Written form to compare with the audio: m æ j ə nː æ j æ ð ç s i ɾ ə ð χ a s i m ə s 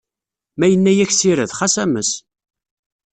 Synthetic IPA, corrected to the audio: m æ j ə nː æ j æ ç s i ɾ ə ð χ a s æ m ə s